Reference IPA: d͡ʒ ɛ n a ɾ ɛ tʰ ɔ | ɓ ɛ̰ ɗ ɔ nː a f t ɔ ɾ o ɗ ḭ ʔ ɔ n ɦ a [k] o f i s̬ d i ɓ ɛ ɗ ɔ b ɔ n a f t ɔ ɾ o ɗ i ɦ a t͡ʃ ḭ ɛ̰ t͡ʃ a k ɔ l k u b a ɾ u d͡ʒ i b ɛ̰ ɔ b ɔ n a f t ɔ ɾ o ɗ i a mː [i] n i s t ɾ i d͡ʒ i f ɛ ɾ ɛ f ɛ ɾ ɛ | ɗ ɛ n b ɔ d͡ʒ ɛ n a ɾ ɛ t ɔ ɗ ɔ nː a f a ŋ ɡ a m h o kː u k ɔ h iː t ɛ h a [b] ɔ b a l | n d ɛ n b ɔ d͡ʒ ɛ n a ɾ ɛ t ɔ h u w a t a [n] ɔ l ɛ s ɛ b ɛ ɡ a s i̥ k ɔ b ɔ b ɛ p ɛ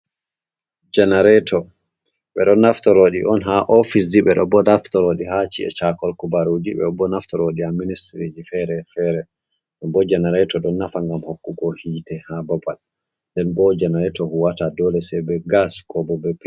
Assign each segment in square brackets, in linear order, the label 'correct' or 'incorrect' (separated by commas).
incorrect, correct, correct, incorrect